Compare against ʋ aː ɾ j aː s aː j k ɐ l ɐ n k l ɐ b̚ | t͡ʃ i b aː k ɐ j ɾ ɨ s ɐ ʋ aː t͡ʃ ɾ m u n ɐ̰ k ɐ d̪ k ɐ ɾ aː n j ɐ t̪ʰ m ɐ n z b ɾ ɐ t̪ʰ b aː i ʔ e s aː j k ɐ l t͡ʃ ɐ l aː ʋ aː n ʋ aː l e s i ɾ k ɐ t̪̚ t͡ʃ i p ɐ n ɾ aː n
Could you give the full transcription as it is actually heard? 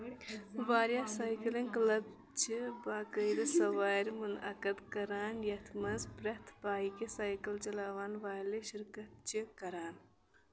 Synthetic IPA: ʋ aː ɾ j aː s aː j k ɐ l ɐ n k l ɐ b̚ | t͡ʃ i b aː k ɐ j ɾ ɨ s ɐ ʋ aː ɾ m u n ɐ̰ k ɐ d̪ k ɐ ɾ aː n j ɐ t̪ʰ m ɐ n z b ɾ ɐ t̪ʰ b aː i k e s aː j k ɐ l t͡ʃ ɐ l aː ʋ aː n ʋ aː l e ʃ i ɾ k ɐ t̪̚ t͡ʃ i k ɐ ɾ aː n